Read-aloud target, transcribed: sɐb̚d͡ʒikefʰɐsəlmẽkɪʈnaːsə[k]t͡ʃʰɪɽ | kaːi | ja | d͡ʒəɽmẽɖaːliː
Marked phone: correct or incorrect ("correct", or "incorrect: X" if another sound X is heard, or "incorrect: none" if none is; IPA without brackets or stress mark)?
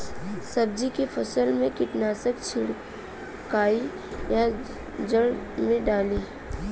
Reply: correct